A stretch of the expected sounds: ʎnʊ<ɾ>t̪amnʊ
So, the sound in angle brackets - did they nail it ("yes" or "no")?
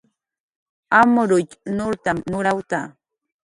yes